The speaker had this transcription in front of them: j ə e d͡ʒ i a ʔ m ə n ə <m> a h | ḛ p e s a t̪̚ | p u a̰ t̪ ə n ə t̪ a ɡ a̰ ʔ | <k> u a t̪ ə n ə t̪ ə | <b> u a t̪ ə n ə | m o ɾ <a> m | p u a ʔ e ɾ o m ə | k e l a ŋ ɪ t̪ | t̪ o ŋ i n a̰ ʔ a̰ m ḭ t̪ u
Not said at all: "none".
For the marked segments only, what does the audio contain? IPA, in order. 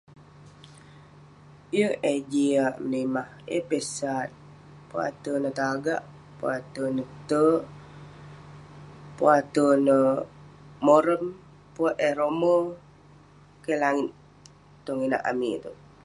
m, p, p, ə

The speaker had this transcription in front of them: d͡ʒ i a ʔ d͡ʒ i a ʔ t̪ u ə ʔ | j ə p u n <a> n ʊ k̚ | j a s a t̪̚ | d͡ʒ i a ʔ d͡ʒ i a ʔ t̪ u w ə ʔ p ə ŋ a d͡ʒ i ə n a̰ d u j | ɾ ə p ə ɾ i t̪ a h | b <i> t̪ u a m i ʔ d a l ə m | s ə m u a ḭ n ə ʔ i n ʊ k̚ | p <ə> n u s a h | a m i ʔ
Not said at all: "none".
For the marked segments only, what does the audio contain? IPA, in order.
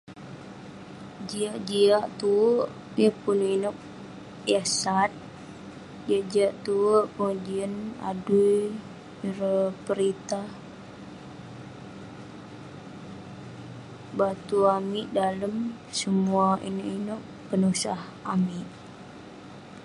i, a, ə

